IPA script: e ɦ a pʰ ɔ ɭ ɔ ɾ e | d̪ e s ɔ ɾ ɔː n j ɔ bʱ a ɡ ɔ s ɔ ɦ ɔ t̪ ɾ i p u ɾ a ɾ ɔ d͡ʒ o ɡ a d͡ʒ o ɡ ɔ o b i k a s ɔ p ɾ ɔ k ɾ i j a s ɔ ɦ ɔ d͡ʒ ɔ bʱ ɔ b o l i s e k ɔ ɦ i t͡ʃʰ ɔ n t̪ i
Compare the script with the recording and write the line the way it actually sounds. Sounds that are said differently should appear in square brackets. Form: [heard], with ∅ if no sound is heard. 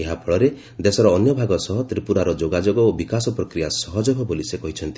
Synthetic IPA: e ɦ a pʰ ɔ ɭ ɔ ɾ e | d̪ e s ɔ ɾ ɔː n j ɔ bʱ a ɡ ɔ s ɔ ɦ ɔ t̪ ɾ i p u ɾ a ɾ ɔ d͡ʒ o ɡ a d͡ʒ o ɡ ɔ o b i k a s ɔ p ɾ ɔ k ɾ i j a s ɔ ɦ ɔ d͡ʒ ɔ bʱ ɔ b o l i s e k ɔ ɦ i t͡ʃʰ ɔ n t̪ i